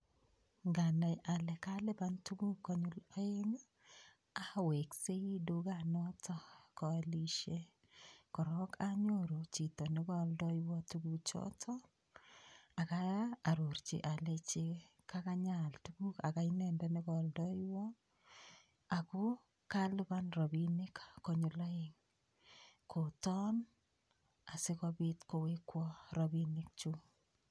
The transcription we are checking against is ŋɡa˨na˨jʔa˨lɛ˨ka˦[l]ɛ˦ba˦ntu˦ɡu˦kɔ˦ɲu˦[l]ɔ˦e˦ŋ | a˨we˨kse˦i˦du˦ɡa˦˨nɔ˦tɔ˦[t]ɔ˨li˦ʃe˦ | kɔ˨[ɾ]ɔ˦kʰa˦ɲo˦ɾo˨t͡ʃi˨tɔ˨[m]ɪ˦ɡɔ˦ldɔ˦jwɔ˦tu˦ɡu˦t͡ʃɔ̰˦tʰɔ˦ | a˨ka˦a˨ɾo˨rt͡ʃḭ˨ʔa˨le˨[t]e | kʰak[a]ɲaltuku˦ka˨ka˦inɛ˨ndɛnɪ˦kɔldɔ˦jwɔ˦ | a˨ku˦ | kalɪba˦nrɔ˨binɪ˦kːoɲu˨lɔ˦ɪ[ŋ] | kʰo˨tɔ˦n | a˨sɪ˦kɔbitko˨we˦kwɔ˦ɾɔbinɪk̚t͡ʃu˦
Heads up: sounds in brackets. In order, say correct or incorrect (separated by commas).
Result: correct, correct, incorrect, correct, incorrect, incorrect, correct, correct